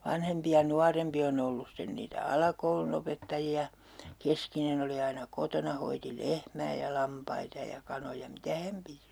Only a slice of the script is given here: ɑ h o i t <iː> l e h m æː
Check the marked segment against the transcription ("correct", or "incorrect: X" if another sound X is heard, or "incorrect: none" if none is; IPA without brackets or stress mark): incorrect: i